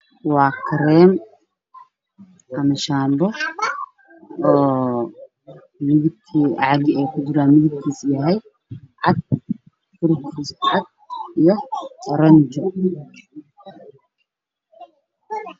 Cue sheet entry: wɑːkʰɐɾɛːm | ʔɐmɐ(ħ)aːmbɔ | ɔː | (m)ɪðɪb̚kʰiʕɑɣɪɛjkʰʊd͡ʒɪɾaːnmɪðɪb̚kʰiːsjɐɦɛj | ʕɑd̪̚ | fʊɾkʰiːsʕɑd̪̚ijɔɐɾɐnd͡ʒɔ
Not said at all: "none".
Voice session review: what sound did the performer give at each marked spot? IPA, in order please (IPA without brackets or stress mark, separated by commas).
ʃ, m